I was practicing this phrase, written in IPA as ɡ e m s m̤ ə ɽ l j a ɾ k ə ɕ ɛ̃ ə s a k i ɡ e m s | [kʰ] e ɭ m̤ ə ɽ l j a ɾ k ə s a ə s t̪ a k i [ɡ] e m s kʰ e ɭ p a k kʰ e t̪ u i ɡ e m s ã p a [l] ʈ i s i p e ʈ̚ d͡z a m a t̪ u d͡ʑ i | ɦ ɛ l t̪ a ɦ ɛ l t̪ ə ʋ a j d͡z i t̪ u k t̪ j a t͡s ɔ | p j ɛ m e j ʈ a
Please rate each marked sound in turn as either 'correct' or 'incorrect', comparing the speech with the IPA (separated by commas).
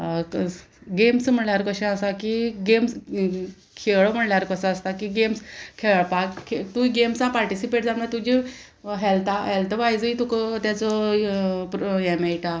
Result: correct, correct, incorrect